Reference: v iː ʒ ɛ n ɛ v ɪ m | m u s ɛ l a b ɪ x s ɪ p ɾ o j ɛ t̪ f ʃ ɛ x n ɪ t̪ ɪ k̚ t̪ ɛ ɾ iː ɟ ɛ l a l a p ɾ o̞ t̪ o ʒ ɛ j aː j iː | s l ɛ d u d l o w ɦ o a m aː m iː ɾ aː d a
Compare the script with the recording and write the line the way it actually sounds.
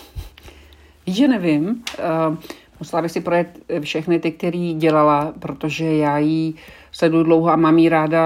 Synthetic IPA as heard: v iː ʒ ɛ n ɛ v ɪ m | m u s ɛ l a b ɪ x s ɪ p ɾ o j ɛ t̪ f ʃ ɛ x n ɪ t̪ ɪ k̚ t̪ ɛ ɾ iː ɟ ɛ l a l a p ɾ o̞ t̪ o ʒ ɛ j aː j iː | s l ɛ d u d l o w ɦ o a m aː m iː ɾ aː d a